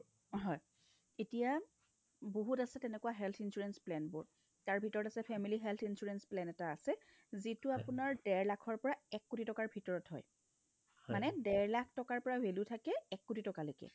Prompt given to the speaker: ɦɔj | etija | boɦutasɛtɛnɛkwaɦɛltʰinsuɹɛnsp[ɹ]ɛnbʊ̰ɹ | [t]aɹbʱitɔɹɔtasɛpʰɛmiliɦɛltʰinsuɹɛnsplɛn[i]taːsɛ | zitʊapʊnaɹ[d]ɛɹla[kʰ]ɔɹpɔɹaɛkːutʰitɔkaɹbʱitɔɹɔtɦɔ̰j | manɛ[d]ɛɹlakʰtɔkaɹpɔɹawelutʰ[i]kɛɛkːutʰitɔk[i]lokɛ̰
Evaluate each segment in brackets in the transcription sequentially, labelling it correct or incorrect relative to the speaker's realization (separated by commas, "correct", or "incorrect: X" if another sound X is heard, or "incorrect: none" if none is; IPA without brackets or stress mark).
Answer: incorrect: l, correct, incorrect: ɛ, correct, correct, correct, incorrect: a, incorrect: a